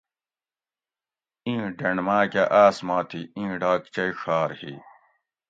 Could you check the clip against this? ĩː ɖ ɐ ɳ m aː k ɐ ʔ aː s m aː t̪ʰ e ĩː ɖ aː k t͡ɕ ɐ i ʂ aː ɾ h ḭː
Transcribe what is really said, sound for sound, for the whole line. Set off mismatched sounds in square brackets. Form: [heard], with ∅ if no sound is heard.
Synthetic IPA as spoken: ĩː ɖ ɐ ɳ m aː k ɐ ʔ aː s m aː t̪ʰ [i] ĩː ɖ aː k t͡ɕ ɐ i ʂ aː ɾ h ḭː